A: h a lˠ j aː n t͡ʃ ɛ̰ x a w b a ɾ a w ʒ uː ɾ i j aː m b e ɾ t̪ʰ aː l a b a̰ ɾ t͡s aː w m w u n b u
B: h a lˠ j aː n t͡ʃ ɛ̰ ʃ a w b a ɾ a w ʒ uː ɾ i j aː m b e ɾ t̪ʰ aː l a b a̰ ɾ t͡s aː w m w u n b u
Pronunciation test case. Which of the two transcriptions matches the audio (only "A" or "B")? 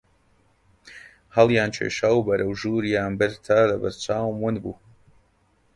B